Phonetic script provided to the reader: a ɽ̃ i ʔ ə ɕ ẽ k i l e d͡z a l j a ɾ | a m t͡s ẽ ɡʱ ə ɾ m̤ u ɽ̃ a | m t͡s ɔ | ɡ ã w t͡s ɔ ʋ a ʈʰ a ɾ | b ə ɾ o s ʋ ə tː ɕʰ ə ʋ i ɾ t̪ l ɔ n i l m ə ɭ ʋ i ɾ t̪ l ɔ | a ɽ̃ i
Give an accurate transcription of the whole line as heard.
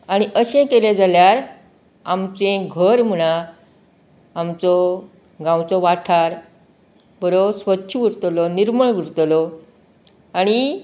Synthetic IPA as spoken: a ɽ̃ i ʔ ə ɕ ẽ k e l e d͡z a l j a ɾ | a m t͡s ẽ ɡʱ ə ɾ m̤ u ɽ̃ a | m t͡s ɔ | ɡ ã w t͡s ɔ ʋ a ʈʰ a ɾ | b ə ɾ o s ʋ ə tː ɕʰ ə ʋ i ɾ t̪ l ɔ n i ɾ m ə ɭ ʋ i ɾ t̪ l ɔ | a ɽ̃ i

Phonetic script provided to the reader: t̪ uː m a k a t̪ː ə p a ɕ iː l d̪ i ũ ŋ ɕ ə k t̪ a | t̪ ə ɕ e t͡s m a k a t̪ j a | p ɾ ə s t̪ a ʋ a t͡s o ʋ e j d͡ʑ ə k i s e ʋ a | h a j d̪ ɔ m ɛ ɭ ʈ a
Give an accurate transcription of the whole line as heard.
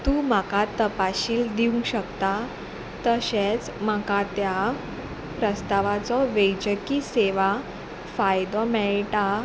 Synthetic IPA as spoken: t̪ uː m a k a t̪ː ə p a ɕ iː l d̪ i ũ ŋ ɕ ə k t̪ a | t̪ ə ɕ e t͡s m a k a t̪ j a | p ɾ ə s t̪ a ʋ a t͡s ɔ ʋ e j d͡ʑ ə k i s e ʋ a | f a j d̪ ɔ m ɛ ɭ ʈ a

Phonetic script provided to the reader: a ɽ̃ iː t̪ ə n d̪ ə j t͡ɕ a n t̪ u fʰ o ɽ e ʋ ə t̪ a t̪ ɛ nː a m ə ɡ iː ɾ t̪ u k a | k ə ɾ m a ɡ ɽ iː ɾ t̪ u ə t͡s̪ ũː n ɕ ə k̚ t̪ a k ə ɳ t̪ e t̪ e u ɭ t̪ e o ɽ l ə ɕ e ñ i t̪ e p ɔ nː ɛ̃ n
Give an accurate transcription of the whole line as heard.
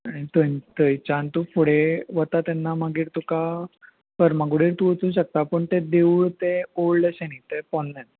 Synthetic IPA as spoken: a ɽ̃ i t̪ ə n t̪ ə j t͡ɕ a n t̪ u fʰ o ɽ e ʋ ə t̪ a t̪ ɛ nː a m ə ɡ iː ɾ t̪ u k a | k ə ɾ m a ɡ ɽ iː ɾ t̪ u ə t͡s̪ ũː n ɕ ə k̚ t̪ a p ə ɳ t̪ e d̪ e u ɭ t̪ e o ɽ l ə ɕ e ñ i t̪ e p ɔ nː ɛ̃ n

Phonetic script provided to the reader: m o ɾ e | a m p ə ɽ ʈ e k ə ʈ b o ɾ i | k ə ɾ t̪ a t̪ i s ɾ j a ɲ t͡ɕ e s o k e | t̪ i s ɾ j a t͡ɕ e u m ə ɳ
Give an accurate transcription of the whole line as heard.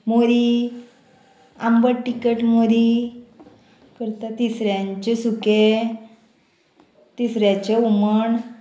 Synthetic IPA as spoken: m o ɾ i | a m b ə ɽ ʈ i k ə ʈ m o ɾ i | k ə ɾ t̪ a t̪ i s ɾ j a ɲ t͡ɕ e s u k e | t̪ i s ɾ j a t͡ɕ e u m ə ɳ

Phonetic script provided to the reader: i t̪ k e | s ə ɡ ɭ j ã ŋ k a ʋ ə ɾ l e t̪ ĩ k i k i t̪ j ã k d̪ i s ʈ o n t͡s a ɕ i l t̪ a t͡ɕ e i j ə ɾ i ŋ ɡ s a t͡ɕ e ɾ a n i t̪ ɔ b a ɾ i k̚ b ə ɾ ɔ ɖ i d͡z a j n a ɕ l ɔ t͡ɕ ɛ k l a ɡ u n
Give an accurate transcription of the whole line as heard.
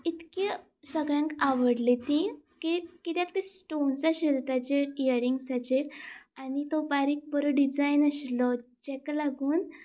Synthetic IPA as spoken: i t̪ k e | s ə ɡ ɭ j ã ŋ k a ʋ ə ɽ l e t̪ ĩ k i k i t̪ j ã k t̪ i s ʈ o n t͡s a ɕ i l t̪ a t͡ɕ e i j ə ɾ i ŋ ɡ s a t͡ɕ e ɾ a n i t̪ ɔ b a ɾ i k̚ b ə ɾ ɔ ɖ i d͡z a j n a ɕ l ɔ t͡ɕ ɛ k l a ɡ uː n

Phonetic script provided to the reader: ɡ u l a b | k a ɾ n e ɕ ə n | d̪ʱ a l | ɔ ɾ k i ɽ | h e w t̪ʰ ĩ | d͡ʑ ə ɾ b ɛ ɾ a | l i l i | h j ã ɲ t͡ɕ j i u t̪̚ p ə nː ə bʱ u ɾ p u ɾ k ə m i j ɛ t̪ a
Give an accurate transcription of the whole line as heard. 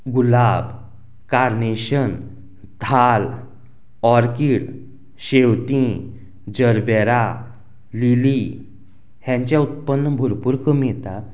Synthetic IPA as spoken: ɡ u l a b | k a ɾ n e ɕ ə n | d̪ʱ a l | ɔ ɾ k i ɽ | ɕ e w t̪ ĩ | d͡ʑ ə ɾ b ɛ ɾ a | l i l i | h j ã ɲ t͡ɕ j a u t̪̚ p ə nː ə bʱ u ɾ p u ɾ k ə m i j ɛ t̪ a

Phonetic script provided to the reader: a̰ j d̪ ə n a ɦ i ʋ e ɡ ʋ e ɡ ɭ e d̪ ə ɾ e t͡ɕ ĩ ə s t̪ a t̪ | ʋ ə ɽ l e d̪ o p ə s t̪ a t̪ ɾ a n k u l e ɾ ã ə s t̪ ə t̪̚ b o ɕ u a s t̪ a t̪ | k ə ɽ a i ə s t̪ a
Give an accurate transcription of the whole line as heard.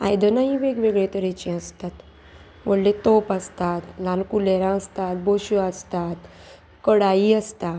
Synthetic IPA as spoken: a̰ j d̪ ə n a ɦ i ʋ e ɡ ʋ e ɡ ɭ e t̪ ə ɾ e t͡ɕ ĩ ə s t̪ a t̪ | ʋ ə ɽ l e t̪ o p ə s t̪ a t̪ l a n k u l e ɾ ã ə s t̪ a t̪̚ b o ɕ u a s t̪ a t̪ | k ə ɽ a i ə s t̪ a

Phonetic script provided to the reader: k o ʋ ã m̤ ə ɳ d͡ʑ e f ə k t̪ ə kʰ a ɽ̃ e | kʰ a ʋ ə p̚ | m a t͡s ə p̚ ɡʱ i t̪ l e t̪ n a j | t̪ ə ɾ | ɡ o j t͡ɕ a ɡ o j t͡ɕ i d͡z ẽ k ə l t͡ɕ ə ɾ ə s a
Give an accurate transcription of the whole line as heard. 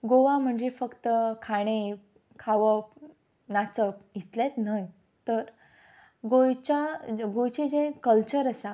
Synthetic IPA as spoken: ɡ o ʋ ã m̤ ə ɳ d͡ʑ e f ə k t̪ ə kʰ a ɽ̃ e | kʰ a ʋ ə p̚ | n a t͡s ə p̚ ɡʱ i t̪ l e t̪ n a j | t̪ ə ɾ | ɡ o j t͡ɕ a ɡ o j t͡ɕ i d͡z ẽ k ə l t͡ɕ ə ɾ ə s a

